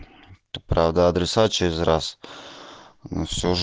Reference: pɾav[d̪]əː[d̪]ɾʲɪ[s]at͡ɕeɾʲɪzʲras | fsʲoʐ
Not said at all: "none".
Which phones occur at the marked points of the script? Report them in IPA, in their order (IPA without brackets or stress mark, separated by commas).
d̪, d̪, s